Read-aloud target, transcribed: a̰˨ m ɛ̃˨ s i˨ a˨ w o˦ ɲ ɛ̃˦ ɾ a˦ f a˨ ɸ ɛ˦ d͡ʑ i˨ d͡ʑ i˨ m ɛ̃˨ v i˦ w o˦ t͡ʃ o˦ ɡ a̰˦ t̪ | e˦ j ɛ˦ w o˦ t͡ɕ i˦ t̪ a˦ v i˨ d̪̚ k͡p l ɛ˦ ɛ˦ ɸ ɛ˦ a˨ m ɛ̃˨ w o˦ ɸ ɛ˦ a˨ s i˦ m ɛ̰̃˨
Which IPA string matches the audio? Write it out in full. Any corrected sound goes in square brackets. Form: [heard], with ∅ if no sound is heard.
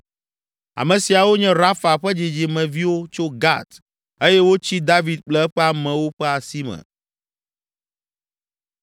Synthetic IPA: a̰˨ m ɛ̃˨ s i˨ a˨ w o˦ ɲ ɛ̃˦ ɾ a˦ f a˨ ɸ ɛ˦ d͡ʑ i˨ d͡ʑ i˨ m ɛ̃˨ v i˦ w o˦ t͡ʃ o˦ ɡ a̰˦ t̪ | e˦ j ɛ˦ w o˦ t͡ɕ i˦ [d̪] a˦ v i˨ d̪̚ k͡p l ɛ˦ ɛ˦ ɸ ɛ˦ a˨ m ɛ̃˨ w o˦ ɸ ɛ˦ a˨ s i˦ m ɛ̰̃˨